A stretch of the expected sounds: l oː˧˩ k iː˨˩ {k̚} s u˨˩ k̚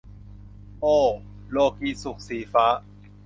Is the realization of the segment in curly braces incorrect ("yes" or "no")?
yes